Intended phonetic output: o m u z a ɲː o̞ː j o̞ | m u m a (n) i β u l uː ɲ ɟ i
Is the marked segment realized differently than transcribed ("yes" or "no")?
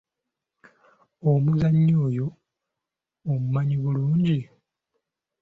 yes